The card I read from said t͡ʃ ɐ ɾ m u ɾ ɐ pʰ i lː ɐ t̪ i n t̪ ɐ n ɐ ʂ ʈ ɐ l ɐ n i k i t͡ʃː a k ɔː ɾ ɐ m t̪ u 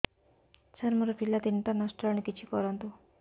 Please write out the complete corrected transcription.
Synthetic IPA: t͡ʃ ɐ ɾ m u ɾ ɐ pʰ i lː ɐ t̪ i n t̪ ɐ n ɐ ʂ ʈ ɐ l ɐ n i k i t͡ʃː i k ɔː ɾ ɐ n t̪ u